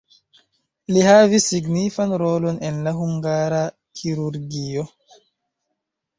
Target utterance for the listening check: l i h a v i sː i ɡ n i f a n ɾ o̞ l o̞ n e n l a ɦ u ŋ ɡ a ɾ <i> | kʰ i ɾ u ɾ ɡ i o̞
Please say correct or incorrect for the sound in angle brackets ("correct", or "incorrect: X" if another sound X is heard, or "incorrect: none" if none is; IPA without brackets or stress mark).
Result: incorrect: a